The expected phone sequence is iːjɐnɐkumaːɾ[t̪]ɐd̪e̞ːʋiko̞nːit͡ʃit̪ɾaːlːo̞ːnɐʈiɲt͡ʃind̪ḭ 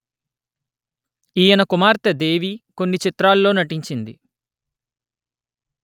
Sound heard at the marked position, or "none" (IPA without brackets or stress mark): t̪